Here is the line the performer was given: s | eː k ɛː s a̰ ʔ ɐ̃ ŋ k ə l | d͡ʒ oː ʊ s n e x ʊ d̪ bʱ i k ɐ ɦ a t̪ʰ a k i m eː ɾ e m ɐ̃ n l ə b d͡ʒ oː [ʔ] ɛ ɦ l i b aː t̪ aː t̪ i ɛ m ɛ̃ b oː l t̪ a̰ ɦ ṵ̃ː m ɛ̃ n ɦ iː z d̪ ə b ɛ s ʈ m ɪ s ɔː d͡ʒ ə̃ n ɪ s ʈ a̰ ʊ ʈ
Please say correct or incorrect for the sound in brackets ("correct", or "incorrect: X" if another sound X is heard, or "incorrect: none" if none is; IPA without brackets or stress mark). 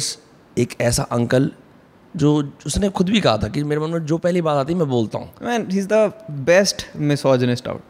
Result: incorrect: p